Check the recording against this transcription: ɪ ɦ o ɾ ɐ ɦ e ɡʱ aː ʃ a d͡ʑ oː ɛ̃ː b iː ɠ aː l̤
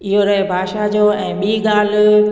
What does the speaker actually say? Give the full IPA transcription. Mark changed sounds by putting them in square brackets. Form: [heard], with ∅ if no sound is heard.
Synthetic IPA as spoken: ɪ ɦ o ɾ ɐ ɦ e [bʱ] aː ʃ a d͡ʑ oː ɛ̃ː [ɓ] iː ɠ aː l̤

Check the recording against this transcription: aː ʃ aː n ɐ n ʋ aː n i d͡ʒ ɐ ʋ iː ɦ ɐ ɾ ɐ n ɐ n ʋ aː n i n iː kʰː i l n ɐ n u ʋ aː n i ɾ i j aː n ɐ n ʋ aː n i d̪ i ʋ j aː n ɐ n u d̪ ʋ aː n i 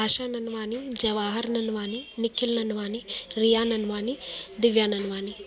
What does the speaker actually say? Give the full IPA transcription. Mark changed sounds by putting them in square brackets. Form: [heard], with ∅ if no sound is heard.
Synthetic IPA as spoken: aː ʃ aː n ɐ n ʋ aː n i d͡ʒ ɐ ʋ [aː] ɦ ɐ ɾ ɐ n ɐ n ʋ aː n i n [i] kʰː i l n ɐ n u ʋ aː n i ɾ i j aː n ɐ n ʋ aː n i d̪ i ʋ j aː n ɐ n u [∅] ʋ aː n i

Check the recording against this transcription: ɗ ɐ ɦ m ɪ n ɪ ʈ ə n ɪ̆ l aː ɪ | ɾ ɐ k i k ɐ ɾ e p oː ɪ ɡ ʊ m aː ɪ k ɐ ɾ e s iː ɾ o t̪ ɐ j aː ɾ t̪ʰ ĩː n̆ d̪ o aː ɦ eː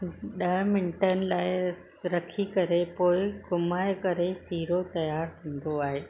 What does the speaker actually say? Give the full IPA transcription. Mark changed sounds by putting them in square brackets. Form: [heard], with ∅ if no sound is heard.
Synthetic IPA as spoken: ɗ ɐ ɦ m ɪ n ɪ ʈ ə n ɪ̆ l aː ɪ | ɾ ɐ [kʰ] i k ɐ ɾ e p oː ɪ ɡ ʊ m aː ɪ k ɐ ɾ e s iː ɾ o t̪ ɐ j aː ɾ t̪ʰ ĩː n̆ d̪ o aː ɦ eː

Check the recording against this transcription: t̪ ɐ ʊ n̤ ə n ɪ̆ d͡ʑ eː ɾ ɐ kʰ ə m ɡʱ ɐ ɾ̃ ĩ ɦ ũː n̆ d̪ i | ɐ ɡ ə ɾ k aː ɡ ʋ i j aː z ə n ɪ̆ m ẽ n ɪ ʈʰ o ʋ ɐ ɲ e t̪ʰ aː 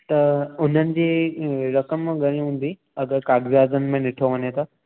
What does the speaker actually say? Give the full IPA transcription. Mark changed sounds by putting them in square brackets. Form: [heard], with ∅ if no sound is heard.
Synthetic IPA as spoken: t̪ ɐ ʊ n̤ ə n ɪ̆ d͡ʑ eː ɾ ɐ [k] ə m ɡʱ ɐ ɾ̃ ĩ ɦ ũː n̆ d̪ i | ɐ ɡ ə ɾ k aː ɡ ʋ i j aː z ə n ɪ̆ m ẽ n ɪ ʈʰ o ʋ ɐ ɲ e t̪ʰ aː

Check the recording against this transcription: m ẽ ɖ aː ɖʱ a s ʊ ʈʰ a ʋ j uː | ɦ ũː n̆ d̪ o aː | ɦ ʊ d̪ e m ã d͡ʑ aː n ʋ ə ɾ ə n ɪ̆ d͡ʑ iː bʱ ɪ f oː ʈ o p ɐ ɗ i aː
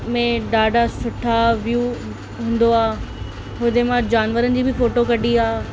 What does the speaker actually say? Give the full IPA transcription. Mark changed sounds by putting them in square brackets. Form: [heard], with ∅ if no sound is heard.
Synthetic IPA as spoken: m ẽ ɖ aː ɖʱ a s ʊ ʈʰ a ʋ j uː | ɦ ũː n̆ d̪ o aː | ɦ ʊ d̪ e m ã d͡ʑ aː n ʋ ə ɾ ə n ɪ̆ d͡ʑ iː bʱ ɪ f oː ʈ o [k] ɐ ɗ i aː

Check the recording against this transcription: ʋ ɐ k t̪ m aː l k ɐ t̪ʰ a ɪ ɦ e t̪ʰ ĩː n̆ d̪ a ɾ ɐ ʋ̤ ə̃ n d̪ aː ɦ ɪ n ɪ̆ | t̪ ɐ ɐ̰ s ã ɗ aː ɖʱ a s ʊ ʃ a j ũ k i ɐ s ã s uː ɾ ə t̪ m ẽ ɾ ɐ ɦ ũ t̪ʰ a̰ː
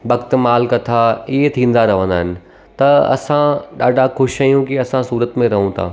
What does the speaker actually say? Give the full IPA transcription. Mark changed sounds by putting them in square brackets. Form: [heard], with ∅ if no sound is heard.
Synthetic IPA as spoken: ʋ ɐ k t̪ m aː l k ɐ t̪ʰ a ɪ ɦ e t̪ʰ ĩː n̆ d̪ a ɾ ɐ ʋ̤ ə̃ n d̪ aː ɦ ɪ n ɪ̆ | t̪ ɐ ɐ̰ s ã ɗ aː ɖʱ a [x] ʊ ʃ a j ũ k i ɐ s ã s uː ɾ ə t̪ m ẽ ɾ ɐ ɦ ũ t̪ʰ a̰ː

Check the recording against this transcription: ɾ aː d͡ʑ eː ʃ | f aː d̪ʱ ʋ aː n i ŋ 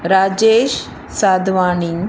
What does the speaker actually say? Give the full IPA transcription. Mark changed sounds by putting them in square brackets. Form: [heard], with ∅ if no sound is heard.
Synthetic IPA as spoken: ɾ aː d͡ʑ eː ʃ | [s] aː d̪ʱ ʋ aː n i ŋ

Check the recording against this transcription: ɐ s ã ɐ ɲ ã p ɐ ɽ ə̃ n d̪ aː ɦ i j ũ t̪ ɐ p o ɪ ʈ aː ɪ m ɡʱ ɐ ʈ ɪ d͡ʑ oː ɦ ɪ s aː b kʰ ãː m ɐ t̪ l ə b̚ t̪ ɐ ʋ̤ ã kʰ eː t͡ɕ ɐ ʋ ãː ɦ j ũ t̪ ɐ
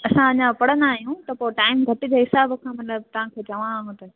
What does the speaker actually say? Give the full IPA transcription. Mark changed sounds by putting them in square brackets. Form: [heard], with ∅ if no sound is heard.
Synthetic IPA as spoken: ɐ s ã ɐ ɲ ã p ɐ ɽ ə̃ n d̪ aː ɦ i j ũ t̪ ɐ p o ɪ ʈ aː ɪ m ɡʱ ɐ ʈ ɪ d͡ʑ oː ɦ ɪ s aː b kʰ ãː m ɐ t̪ l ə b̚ t̪ ɐ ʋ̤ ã kʰ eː t͡ɕ ɐ ʋ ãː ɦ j ũ t̪ ɐ

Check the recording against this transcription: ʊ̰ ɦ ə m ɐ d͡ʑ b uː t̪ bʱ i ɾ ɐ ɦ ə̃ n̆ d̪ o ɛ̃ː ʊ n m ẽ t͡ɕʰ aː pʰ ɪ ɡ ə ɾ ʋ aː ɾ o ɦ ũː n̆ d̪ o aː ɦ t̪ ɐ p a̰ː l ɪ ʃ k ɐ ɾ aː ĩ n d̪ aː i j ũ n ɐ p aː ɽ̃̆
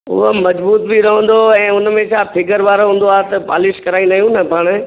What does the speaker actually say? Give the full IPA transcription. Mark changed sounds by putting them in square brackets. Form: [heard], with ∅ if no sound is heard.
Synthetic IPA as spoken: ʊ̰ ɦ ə m ɐ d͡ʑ b uː t̪ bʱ i ɾ ɐ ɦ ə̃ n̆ d̪ o ɛ̃ː ʊ n m ẽ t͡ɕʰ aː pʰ ɪ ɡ ə ɾ ʋ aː ɾ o ɦ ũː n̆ d̪ o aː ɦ t̪ ɐ p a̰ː l ɪ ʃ k ɐ ɾ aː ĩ n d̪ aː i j ũ n ɐ p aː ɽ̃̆

